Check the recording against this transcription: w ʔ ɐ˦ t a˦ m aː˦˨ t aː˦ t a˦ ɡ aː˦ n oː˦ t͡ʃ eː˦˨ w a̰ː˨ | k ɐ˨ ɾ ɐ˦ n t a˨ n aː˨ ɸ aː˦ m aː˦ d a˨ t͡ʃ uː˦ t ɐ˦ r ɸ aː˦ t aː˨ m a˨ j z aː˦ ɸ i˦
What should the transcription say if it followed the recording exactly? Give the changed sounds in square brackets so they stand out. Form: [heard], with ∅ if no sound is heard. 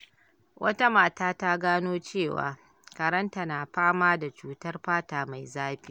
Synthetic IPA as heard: w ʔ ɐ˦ t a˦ m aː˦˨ t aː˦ t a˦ ɡ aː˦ n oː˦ t͡ʃ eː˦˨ w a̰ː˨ | k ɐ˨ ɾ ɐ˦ n t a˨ n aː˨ ɸ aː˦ m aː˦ d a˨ t͡ʃ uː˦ t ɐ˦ r ɸ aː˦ t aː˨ m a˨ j z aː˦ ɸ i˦